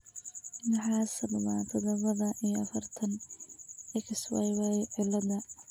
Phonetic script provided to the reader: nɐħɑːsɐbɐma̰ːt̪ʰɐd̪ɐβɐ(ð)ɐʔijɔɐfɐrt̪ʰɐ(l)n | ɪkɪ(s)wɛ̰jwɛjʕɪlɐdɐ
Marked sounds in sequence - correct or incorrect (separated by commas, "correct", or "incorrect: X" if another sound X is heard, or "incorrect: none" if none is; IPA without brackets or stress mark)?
correct, incorrect: none, correct